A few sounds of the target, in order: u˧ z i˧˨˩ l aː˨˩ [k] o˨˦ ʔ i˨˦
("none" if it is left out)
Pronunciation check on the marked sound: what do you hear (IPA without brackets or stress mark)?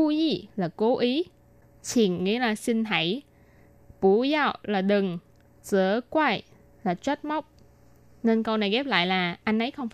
k